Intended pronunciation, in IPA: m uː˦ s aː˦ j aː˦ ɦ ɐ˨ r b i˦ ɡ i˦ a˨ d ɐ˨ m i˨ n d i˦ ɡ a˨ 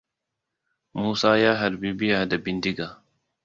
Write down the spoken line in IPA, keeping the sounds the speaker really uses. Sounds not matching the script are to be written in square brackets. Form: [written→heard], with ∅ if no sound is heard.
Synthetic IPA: m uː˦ s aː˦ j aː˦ ɦ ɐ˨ [r→ɾ] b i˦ [ɡ→b] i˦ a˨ d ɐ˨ [m→b] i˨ n d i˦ ɡ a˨